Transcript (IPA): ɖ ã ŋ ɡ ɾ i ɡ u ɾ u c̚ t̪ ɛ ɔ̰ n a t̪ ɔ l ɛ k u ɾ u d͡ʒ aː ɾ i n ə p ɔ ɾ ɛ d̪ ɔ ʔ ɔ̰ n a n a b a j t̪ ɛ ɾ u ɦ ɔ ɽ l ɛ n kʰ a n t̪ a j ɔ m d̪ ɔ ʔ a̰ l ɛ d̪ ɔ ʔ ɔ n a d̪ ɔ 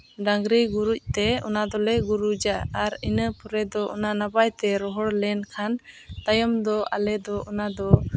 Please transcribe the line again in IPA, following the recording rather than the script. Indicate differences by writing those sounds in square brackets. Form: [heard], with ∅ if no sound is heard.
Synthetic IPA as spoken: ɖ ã ŋ ɡ ɾ i ɡ u ɾ u c̚ t̪ ɛ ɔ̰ n a [d̪] ɔ l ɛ [ɡ] u ɾ u d͡ʒ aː ɾ i n ə p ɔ ɾ ɛ d̪ ɔ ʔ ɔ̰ n a n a b a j t̪ ɛ ɾ [ɔ] ɦ ɔ ɽ l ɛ n kʰ a n t̪ a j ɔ m d̪ ɔ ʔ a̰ l ɛ d̪ ɔ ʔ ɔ n a d̪ ɔ